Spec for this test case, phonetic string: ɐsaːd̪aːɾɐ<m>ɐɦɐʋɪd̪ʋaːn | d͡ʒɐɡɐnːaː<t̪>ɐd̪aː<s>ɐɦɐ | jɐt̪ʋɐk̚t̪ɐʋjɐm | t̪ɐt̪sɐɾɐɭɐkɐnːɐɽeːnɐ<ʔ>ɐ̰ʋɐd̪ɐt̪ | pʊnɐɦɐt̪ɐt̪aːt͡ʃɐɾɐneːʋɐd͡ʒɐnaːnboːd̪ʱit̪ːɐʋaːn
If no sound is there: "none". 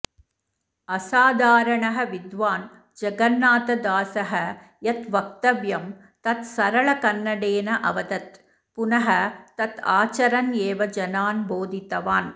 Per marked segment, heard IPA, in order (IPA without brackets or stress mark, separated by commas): ɳ, t̪, s, ʔ